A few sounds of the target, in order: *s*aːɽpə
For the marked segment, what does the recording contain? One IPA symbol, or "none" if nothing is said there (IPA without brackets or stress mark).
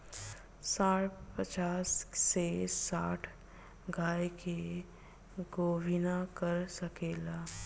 s